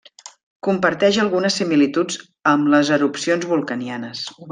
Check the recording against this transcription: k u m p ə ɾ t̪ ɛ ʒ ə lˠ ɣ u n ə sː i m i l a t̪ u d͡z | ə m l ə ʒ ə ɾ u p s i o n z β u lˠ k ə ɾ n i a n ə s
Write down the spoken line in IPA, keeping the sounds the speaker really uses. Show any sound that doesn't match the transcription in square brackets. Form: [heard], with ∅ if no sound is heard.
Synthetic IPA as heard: k u m p ə ɾ t̪ ɛ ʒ ə lˠ ɣ u n ə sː i m i l [i] t̪ u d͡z | ə m l ə [z] ə ɾ u p s i o n z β u lˠ k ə [∅] n i a n ə s